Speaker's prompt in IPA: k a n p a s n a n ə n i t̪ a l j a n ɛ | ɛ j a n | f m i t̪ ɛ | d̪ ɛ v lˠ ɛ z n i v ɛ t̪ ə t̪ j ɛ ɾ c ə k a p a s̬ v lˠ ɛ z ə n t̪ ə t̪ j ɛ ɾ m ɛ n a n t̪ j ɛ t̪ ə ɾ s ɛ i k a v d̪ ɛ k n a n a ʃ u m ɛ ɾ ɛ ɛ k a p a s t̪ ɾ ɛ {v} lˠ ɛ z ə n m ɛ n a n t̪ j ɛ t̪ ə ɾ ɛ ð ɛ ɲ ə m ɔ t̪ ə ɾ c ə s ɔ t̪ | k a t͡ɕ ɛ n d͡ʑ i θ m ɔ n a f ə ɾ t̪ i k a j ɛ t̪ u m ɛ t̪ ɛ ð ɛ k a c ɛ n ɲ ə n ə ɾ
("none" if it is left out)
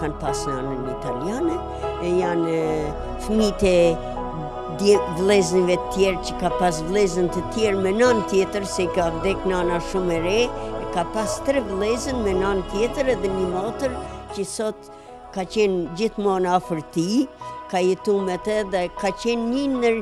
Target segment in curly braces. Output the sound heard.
v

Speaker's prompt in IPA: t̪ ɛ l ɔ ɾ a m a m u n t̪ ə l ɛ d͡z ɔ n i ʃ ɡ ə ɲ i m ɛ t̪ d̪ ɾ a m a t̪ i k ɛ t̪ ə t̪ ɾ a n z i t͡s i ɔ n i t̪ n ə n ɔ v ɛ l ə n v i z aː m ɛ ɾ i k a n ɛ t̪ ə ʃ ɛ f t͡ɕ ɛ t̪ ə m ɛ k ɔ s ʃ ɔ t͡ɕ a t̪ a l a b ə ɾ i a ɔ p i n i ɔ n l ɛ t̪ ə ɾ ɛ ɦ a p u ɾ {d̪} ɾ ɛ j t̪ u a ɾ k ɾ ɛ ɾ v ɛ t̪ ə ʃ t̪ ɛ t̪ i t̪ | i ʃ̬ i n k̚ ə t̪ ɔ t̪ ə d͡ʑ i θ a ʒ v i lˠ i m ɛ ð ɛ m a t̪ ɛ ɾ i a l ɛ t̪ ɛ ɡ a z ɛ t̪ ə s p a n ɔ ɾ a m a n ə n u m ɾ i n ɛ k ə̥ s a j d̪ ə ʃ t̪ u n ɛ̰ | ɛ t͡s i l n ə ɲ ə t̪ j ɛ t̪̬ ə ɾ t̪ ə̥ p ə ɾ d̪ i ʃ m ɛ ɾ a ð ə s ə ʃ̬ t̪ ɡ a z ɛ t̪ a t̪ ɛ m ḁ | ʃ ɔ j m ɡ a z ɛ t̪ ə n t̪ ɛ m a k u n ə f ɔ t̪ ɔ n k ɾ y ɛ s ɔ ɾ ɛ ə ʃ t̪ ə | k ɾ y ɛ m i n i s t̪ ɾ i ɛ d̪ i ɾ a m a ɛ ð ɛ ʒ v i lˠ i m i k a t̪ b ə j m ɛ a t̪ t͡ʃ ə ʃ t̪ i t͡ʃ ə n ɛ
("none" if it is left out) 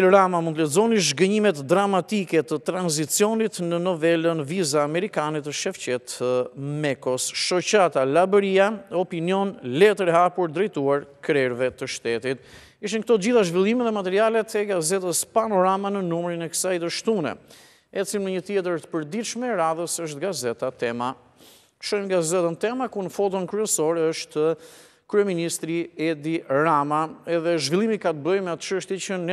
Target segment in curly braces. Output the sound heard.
d̪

